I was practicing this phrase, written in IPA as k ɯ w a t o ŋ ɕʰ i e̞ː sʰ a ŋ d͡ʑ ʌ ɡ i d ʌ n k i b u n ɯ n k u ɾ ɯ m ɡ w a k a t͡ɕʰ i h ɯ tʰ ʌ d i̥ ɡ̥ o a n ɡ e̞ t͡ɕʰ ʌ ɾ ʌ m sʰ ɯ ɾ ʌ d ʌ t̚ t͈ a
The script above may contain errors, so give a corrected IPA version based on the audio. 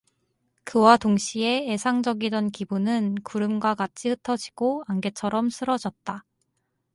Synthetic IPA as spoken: k ɯ w a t o ŋ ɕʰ i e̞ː sʰ a ŋ d͡ʑ ʌ ɡ i d ʌ n k i b u n ɯ n k u ɾ ɯ m ɡ w a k a t͡ɕʰ i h ɯ tʰ ʌ d͡ʑ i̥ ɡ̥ o a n ɡ e̞ t͡ɕʰ ʌ ɾ ʌ m sʰ ɯ ɾ ʌ d͡ʑ ʌ t̚ t͈ a

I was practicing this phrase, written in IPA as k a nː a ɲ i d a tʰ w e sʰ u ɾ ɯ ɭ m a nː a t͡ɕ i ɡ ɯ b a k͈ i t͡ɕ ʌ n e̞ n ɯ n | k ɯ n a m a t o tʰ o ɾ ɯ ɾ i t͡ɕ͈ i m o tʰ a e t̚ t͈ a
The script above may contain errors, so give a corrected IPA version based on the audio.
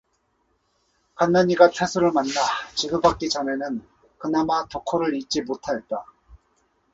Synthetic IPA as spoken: k a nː a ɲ i ɡ a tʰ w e sʰ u ɾ ɯ ɭ m a nː a t͡ɕ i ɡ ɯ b a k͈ i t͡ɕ ʌ n e̞ n ɯ n | k ɯ n a m a t o kʰ o ɾ ɯ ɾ i t͡ɕ͈ i m o tʰ a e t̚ t͈ a

